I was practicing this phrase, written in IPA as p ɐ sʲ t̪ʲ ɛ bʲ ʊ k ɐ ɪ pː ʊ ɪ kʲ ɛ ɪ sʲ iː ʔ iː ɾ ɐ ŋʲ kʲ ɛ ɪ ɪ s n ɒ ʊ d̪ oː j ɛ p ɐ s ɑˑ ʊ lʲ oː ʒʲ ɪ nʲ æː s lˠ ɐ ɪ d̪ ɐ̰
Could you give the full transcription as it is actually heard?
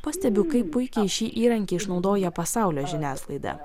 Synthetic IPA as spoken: p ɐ sʲ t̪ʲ ɛ bʲ ʊ k ɐ ɪ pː ʊ ɪ kʲ ɛ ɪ ʃʲ iː ʔ iː ɾ ɐ ŋʲ kʲ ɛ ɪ ɪ ʃ n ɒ ʊ d̪ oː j ɛ p ɐ s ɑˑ ʊ lʲ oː ʒʲ ɪ nʲ æː s lˠ ɐ ɪ d̪ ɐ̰